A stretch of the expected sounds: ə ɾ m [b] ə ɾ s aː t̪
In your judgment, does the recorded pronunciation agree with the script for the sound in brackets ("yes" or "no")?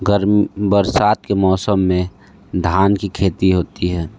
yes